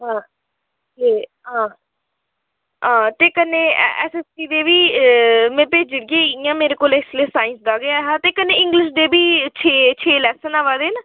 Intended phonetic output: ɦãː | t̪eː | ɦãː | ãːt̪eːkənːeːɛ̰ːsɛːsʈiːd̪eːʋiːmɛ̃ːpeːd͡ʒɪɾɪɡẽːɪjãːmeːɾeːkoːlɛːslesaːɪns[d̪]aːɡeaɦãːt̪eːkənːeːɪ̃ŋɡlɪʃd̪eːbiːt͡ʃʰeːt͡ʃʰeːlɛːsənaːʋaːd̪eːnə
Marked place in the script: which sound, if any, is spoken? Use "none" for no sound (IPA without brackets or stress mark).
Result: d̪